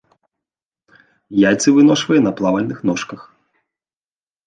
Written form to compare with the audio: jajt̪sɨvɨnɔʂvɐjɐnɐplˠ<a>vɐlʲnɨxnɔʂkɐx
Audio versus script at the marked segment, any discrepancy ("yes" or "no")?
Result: no